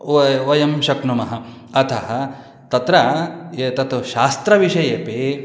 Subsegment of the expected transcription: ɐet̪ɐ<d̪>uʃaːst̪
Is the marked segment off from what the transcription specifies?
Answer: yes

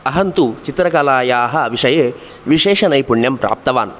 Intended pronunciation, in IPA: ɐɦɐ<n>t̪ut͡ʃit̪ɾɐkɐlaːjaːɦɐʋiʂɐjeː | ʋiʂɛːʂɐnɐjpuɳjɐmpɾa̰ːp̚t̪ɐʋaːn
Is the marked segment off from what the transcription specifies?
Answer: no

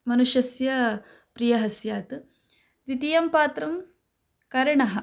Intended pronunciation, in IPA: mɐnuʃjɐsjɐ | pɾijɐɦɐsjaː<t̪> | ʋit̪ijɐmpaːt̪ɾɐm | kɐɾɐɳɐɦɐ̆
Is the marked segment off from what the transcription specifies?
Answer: no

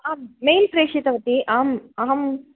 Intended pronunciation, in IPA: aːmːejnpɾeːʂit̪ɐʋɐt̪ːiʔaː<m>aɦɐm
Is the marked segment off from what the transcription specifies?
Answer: no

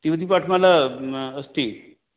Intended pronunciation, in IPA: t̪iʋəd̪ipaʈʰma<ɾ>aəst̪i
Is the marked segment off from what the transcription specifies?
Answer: yes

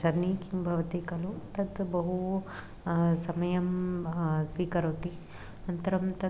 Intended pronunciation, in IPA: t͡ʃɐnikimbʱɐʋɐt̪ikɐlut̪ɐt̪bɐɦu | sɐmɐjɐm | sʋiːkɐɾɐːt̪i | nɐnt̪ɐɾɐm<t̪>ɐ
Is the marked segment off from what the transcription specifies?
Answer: no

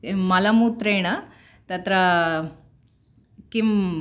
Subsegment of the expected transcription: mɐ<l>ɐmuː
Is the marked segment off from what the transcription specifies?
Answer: no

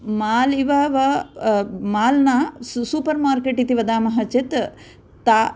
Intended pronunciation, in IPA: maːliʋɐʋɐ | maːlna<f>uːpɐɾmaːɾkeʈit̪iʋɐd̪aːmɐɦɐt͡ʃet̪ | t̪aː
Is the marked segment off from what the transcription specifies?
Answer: yes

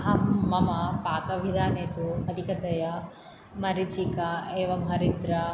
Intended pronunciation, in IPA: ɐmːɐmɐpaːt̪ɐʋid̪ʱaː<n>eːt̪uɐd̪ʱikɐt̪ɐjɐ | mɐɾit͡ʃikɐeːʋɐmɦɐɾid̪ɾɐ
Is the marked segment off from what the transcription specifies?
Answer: no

